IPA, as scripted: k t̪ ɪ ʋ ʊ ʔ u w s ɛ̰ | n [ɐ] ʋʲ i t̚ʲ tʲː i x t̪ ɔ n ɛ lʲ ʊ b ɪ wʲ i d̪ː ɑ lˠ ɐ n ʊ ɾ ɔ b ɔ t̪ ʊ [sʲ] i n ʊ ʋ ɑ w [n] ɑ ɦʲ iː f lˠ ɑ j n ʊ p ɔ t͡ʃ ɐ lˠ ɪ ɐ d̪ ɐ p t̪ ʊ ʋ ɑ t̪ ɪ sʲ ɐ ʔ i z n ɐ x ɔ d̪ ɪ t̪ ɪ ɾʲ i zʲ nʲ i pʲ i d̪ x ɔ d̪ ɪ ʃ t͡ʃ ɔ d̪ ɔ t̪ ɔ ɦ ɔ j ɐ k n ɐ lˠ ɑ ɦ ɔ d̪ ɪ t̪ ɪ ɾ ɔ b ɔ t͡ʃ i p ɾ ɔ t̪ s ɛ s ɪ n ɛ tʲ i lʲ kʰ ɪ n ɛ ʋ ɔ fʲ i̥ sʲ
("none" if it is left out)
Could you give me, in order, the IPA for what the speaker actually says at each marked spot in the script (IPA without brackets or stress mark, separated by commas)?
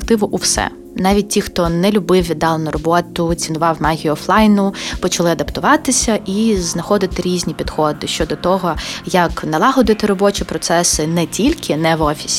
ɑ, t͡sʲ, m